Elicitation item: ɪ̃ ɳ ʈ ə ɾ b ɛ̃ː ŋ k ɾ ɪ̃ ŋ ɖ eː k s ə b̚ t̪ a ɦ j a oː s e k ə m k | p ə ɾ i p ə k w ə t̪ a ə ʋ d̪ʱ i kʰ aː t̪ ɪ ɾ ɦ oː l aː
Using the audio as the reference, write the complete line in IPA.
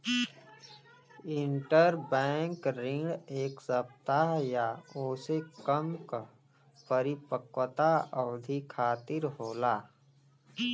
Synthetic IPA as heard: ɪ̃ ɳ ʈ ə ɾ b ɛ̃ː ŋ k ɾ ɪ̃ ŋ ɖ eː k s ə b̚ t̪ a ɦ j a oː s e k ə m k | p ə ɾ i p ə k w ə t̪ a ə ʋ d̪ʱ i kʰ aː t̪ ɪ ɾ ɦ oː l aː